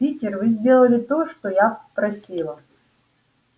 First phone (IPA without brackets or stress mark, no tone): i